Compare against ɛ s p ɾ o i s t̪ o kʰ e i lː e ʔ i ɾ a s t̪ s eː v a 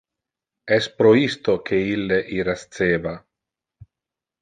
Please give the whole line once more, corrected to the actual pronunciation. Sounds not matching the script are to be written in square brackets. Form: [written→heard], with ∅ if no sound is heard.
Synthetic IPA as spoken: ɛ s p ɾ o i s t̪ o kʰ e i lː e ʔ i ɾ a s t̪ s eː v a